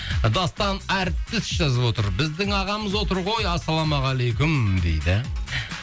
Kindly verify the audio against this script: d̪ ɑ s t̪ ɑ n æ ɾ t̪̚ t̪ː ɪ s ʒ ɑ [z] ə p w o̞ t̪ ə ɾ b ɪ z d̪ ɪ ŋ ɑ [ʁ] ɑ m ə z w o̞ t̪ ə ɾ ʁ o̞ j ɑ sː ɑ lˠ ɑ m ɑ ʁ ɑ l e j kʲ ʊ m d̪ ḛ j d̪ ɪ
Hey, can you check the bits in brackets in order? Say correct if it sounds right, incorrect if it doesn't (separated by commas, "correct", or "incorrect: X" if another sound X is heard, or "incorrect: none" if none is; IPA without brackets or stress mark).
correct, correct